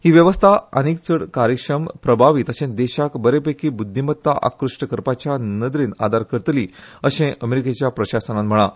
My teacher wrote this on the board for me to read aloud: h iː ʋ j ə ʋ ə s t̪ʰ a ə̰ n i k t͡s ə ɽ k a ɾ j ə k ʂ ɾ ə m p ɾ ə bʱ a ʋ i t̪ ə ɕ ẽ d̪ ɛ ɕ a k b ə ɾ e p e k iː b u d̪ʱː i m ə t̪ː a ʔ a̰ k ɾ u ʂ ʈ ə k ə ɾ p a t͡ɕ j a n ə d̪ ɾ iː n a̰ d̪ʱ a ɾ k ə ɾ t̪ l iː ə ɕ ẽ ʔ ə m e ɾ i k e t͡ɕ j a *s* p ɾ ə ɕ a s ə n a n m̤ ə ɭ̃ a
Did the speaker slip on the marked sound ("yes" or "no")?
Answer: yes